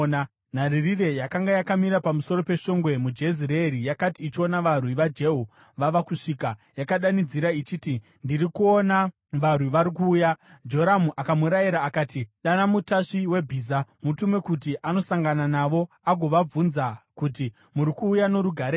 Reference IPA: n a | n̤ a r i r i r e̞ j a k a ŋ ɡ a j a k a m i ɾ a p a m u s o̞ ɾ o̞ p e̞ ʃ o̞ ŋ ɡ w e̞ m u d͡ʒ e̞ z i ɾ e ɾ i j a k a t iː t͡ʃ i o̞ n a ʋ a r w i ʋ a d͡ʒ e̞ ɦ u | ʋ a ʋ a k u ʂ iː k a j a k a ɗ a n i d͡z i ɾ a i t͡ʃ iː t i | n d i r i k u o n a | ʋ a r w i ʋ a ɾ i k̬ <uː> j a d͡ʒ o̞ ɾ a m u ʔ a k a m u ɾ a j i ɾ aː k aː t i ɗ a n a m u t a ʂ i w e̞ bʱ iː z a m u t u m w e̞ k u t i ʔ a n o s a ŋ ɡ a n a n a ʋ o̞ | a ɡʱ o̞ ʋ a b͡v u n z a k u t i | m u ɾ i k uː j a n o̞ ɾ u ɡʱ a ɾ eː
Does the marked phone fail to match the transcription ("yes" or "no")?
no